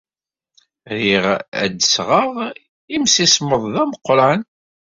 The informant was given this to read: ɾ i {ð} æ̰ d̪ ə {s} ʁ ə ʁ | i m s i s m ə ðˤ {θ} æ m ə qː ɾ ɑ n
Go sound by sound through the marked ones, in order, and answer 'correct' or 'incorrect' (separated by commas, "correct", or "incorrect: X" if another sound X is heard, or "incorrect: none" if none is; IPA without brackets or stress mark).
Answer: incorrect: ʁ, correct, incorrect: ð